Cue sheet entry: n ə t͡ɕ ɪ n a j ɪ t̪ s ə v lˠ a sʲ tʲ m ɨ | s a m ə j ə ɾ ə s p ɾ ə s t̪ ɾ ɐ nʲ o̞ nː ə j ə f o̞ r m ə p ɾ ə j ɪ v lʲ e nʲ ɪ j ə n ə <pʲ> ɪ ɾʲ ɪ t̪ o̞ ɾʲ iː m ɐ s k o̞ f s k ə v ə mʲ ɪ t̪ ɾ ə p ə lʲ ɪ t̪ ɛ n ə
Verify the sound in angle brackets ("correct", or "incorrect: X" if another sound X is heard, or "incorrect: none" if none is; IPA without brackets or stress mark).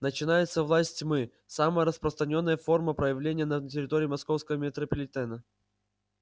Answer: incorrect: tʲ